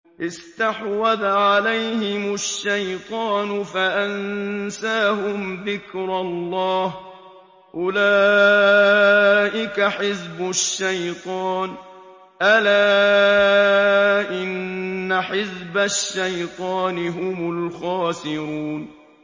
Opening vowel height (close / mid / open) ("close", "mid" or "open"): close